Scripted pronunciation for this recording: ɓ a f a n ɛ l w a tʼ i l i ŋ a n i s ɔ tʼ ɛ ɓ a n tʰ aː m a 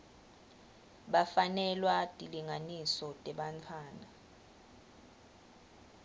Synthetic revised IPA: ɓ a f a n ɛ l w a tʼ i l i ŋ a n i s ɔ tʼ ɛ ɓ a n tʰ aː n a